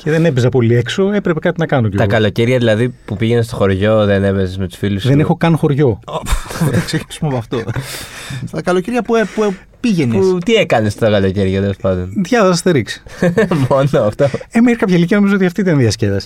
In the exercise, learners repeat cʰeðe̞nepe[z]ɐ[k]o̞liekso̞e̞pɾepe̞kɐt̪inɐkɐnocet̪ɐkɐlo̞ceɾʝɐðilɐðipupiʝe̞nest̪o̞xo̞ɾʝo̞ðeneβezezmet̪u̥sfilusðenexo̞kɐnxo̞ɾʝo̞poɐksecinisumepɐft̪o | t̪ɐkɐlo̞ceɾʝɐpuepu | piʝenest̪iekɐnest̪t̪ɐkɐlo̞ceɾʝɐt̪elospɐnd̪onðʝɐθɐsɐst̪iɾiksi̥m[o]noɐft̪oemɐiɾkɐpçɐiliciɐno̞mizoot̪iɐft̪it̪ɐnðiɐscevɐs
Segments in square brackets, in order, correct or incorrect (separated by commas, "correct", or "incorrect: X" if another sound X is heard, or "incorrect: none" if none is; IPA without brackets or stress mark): correct, incorrect: p, correct